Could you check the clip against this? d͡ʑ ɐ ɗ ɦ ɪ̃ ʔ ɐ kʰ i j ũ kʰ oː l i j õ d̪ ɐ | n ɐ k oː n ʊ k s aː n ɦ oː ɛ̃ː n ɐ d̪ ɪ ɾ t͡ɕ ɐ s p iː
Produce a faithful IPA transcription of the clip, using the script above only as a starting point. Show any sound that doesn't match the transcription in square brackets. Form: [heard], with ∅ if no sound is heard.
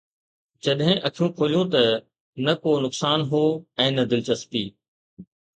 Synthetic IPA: d͡ʑ ɐ ɗ ɦ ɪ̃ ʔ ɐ kʰ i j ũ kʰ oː l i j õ [t̪] ɐ | n ɐ k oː n ʊ k s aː n ɦ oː ɛ̃ː n ɐ d̪ ɪ [l] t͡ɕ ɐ s p iː

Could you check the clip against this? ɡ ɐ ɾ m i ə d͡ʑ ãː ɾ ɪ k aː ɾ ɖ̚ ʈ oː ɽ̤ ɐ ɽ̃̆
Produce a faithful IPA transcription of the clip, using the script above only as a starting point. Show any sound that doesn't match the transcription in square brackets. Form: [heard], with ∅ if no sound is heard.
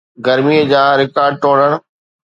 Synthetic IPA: ɡ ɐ ɾ m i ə d͡ʑ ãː ɾ ɪ k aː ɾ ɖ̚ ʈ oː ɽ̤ [ə] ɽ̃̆

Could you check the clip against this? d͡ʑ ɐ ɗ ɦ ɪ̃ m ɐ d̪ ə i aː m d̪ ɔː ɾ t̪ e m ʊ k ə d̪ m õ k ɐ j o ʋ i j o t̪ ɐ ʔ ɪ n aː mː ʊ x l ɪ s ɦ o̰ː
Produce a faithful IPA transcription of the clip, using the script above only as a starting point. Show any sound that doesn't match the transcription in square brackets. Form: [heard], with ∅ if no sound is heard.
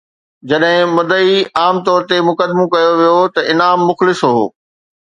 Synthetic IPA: d͡ʑ ɐ ɗ ɦ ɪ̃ m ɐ d̪ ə i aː m [t̪] ɔː ɾ t̪ e m ʊ k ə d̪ m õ k ɐ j o ʋ i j o t̪ ɐ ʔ ɪ n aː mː ʊ x l ɪ s ɦ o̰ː

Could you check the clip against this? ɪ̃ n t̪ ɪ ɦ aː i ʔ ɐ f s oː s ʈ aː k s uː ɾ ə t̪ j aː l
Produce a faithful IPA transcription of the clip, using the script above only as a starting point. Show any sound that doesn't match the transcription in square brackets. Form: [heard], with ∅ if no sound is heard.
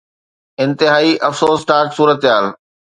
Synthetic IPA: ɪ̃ n t̪ ɪ ɦ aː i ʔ ɐ f s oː s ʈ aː k s uː ɾ ə t̪ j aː l

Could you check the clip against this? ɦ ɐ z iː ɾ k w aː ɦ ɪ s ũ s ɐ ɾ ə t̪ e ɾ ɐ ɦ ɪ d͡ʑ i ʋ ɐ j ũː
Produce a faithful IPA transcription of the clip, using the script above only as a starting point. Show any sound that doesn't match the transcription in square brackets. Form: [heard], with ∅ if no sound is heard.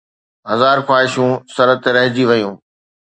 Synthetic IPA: ɦ ɐ z [aː] ɾ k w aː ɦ ɪ [ʃ] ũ s ɐ ɾ ə t̪ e ɾ ɐ ɦ ɪ d͡ʑ i ʋ ɐ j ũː

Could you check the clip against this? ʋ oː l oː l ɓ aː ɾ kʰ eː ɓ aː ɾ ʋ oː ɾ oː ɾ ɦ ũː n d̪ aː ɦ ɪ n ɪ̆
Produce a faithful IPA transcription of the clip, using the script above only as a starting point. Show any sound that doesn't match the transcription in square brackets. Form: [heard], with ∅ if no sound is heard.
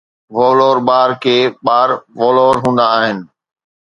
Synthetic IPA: ʋ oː l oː [ɾ] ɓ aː ɾ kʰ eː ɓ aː ɾ ʋ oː [l] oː ɾ ɦ ũː n d̪ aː ɦ ɪ n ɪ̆

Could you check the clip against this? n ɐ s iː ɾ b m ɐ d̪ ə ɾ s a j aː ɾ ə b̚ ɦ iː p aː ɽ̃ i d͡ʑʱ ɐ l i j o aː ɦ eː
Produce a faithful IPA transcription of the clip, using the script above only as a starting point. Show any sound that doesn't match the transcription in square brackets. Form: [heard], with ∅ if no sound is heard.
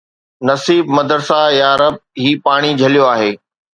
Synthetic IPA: n ɐ s iː [∅] b m ɐ d̪ ə ɾ s a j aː ɾ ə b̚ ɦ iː p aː ɽ̃ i d͡ʑʱ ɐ l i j o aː ɦ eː

